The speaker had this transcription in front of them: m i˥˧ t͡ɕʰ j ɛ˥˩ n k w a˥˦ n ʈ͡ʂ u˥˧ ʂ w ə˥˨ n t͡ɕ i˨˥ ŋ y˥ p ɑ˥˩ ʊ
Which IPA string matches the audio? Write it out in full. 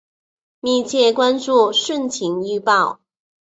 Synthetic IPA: m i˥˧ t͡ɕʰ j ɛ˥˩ k w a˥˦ n ʈ͡ʂ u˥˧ ʂ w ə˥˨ n t͡ɕʰ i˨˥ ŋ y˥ p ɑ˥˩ ʊ